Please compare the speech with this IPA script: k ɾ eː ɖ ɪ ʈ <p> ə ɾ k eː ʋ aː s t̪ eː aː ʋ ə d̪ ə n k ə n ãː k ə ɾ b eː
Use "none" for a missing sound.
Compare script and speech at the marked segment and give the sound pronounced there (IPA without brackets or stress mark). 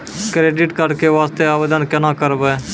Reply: k